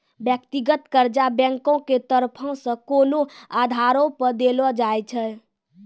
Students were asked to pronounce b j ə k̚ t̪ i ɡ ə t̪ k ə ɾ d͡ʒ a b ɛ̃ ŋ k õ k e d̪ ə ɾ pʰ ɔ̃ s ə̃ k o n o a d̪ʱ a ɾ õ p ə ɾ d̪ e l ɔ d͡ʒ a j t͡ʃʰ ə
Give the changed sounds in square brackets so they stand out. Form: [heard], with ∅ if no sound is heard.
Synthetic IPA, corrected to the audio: b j ə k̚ t̪ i ɡ ə t̪ k ə ɾ d͡ʒ a b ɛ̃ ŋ k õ k e [t̪] ə ɾ pʰ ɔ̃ s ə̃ k o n o a d̪ʱ a ɾ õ p ə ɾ d̪ e l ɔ d͡ʒ a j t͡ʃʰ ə